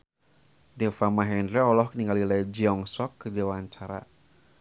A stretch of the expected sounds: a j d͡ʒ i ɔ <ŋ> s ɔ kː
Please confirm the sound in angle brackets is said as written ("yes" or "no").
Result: yes